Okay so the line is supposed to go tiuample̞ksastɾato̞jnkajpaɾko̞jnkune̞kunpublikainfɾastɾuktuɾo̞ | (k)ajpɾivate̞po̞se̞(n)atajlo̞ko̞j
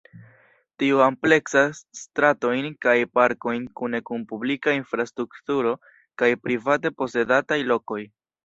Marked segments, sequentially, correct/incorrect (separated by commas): correct, incorrect